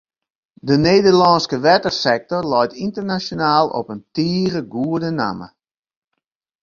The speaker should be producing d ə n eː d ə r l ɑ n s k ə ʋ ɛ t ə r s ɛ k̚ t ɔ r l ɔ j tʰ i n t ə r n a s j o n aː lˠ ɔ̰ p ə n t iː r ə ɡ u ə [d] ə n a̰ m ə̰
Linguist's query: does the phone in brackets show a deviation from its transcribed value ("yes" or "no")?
no